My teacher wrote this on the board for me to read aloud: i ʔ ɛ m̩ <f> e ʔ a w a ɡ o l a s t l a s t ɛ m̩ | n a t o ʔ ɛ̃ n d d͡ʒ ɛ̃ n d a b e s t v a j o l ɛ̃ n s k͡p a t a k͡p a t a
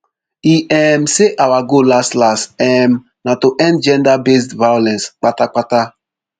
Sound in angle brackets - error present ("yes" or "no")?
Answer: yes